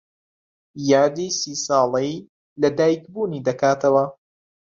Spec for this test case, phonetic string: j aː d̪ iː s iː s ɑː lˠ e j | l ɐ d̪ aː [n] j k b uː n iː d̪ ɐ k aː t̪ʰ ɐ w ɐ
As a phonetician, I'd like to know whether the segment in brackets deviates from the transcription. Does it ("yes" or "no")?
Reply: yes